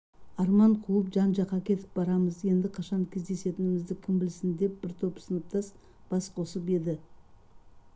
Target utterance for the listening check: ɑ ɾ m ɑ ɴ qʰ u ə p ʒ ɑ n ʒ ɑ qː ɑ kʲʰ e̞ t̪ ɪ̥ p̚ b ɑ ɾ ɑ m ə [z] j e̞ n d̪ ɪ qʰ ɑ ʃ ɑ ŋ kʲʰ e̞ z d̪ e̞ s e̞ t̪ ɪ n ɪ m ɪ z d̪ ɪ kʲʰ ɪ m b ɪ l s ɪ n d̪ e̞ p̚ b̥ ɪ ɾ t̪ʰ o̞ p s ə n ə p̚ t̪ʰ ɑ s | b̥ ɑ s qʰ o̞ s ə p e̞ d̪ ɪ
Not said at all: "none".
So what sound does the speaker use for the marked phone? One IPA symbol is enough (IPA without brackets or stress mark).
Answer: z